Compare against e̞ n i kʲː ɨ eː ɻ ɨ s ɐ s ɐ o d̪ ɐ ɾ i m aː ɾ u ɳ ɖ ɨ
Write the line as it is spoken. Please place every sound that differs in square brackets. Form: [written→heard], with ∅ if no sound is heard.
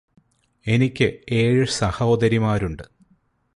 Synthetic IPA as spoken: e̞ n i kʲː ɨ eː ɻ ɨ s ɐ [s→h] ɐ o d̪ ɐ ɾ i m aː ɾ u ɳ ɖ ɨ

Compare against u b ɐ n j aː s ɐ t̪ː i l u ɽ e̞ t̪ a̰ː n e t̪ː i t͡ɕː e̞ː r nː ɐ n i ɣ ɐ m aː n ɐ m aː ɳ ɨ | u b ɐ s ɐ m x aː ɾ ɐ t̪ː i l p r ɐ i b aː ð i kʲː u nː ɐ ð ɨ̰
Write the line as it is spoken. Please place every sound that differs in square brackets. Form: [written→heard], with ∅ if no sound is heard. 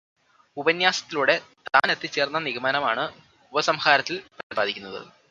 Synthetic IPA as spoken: u b ɐ n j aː s ɐ t̪ː i l u ɽ e̞ t̪ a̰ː n e t̪ː i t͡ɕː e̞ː r nː ɐ n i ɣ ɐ m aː n ɐ m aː ɳ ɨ | u b ɐ s ɐ m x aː ɾ ɐ t̪ː i l p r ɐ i b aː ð i kʲː u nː ɐ ð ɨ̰

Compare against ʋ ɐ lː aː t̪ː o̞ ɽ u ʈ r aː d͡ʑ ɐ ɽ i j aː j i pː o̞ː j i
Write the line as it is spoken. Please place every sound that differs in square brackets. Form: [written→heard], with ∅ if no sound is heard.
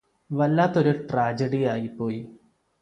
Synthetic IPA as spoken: ʋ ɐ lː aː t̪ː o̞ [ɽ→ɾ] u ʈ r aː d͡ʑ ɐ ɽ i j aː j i pː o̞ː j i

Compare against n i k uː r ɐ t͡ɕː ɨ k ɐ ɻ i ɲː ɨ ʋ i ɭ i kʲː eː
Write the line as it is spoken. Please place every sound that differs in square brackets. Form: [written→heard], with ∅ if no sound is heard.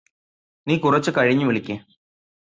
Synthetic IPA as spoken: n [i→iː] k [uː→u] r ɐ t͡ɕː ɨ k ɐ ɻ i ɲː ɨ ʋ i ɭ i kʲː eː

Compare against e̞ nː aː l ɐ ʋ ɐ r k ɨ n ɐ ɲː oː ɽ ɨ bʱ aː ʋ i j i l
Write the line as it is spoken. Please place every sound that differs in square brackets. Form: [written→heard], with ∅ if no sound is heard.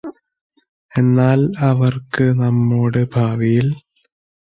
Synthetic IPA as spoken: e̞ nː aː l ɐ ʋ ɐ r k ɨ n ɐ [ɲː→mː] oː ɽ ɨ bʱ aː ʋ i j i l

